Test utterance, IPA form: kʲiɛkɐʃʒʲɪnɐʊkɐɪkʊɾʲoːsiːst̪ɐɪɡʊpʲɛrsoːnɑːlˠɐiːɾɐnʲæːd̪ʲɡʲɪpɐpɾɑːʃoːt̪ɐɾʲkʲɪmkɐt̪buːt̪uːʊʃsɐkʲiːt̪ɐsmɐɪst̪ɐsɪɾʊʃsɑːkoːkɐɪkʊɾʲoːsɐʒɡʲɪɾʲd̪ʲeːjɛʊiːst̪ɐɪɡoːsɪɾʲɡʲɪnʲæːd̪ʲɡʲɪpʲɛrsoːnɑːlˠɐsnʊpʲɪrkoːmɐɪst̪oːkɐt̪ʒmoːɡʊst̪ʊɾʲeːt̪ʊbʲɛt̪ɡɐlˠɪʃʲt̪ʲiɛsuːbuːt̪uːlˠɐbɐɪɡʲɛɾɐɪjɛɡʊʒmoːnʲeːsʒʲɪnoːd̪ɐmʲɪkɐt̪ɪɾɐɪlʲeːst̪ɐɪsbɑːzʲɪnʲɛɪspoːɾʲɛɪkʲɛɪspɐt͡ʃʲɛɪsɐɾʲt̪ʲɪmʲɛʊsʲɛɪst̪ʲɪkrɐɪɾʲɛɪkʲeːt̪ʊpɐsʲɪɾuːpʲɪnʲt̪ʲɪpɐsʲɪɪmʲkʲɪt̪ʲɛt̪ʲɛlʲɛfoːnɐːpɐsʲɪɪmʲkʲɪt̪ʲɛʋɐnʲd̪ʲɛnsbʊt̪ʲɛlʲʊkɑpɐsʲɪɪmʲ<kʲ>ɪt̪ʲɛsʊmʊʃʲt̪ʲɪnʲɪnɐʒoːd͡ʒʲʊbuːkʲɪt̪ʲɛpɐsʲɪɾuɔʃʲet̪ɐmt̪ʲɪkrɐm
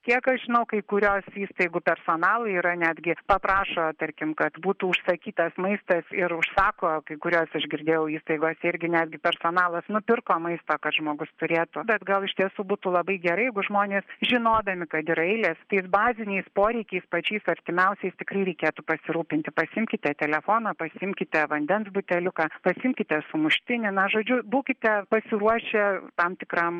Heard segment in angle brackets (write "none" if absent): kʲ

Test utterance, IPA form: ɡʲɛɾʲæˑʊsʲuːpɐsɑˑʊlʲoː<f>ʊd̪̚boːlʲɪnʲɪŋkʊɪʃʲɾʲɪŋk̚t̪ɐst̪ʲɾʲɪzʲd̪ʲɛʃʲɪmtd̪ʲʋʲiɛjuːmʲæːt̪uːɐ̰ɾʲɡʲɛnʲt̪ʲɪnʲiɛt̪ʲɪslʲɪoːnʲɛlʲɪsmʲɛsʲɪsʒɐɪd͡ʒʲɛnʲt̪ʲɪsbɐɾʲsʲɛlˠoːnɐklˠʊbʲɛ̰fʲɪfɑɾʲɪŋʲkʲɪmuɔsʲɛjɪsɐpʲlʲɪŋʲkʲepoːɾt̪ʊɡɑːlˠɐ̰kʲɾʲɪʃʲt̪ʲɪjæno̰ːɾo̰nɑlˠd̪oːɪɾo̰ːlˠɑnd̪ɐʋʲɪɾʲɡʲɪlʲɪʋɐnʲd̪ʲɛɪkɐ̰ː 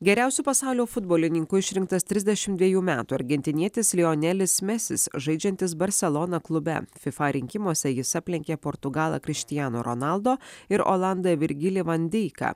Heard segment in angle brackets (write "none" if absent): f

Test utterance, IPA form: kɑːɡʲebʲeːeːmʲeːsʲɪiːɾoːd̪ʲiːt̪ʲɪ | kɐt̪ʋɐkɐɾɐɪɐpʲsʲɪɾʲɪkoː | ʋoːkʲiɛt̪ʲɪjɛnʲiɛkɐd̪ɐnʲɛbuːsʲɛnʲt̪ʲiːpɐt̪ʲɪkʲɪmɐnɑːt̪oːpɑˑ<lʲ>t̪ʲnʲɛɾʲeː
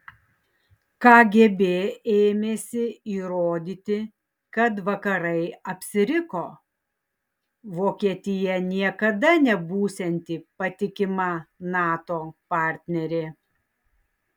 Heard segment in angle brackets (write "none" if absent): ɾʲ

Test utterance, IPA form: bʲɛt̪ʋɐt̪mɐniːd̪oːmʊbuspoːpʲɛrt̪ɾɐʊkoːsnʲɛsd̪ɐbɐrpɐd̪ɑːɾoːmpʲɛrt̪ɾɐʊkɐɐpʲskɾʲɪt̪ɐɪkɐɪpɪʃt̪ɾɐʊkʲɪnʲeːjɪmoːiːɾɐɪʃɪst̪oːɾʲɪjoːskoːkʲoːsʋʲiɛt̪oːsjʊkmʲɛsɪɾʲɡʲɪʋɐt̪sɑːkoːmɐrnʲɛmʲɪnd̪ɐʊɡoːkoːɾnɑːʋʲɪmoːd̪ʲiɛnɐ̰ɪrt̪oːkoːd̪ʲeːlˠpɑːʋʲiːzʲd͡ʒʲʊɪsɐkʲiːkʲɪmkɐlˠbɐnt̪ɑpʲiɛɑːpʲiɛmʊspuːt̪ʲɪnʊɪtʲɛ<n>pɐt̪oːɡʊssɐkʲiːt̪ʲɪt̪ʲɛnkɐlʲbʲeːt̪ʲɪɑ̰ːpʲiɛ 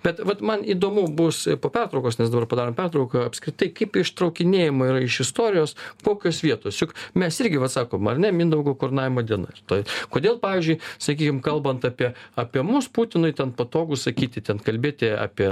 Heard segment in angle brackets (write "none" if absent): n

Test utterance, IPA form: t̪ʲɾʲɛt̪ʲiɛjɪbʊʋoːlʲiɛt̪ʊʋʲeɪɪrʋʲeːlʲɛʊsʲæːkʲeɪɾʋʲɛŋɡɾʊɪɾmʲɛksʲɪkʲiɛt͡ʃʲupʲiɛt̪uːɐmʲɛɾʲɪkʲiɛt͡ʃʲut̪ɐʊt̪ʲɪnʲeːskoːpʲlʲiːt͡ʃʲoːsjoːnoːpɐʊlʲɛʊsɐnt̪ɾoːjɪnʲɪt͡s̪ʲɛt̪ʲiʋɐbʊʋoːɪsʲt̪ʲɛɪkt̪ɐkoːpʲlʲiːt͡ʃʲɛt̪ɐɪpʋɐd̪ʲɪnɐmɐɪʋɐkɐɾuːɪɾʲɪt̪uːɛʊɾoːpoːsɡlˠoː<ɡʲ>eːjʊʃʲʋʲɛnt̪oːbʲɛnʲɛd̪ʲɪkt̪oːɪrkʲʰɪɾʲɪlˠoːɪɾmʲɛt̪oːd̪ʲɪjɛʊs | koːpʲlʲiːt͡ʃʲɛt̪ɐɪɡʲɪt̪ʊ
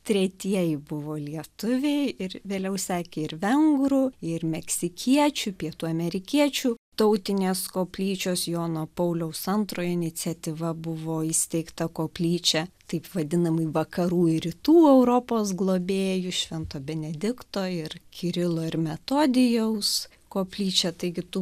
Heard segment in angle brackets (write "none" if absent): bʲ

